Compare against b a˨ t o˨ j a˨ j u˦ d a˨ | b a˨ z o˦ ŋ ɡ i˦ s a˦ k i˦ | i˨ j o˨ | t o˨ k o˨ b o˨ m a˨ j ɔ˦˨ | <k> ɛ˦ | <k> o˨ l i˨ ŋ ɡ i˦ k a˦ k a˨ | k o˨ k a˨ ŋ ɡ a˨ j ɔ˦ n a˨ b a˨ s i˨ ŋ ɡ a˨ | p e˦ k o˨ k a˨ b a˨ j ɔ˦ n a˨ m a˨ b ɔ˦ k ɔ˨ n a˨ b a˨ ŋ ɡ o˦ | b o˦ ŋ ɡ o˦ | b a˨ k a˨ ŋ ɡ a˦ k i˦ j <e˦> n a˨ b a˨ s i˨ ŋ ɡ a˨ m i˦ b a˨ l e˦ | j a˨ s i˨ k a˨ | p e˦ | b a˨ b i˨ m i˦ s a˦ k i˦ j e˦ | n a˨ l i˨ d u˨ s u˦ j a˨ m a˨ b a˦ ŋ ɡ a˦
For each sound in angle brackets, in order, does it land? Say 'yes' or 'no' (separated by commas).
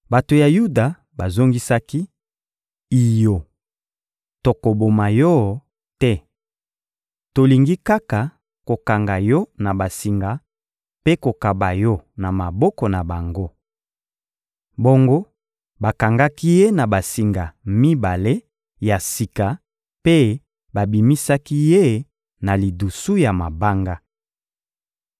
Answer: no, no, yes